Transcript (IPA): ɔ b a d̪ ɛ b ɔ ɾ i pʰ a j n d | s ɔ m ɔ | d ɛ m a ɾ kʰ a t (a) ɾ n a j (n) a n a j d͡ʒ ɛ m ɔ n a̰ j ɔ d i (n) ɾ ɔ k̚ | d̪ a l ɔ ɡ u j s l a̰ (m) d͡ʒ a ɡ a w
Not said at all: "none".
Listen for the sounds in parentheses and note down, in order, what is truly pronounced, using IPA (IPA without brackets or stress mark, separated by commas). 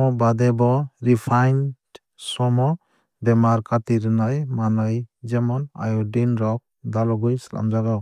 i, m, n, m